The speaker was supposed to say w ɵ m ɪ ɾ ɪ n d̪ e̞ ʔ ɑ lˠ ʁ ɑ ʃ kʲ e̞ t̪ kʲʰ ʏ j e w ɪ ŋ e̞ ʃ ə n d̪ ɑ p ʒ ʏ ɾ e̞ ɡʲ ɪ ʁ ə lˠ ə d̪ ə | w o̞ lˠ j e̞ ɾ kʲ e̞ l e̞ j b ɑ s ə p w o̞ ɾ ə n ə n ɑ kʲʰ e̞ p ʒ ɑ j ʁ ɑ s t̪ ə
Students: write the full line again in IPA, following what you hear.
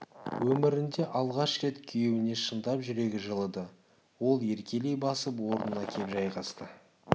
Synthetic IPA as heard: w ɵ m ɪ ɾ ɪ n d̪ e̞ ʔ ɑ lˠ ʁ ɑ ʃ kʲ e̞ t̪ kʲʰ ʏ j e w ɪ n e̞ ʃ ə n d̪ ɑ p ʒ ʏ ɾ e̞ ɡʲ ɪ ʒ ə lˠ ə d̪ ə | w o̞ lˠ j e̞ ɾ kʲ e̞ l e̞ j b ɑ s ə p w o̞ ɾ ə n ə n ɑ kʲʰ e̞ p ʒ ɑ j ʁ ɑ s t̪ ə